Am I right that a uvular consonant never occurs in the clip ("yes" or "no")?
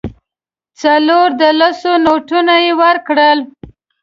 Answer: yes